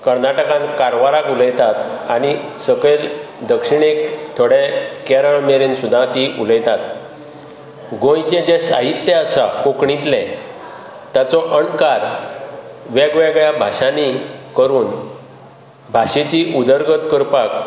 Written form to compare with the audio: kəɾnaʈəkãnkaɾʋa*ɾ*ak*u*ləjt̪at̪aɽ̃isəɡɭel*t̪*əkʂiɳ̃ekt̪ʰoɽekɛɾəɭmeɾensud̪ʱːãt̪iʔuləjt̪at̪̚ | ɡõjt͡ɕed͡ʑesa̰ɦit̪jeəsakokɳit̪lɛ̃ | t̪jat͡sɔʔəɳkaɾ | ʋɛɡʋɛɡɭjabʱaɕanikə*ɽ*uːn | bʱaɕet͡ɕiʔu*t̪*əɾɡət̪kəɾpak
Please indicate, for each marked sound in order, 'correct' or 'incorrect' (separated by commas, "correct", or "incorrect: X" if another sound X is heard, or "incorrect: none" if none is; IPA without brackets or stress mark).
correct, correct, incorrect: d̪, incorrect: ɾ, incorrect: d̪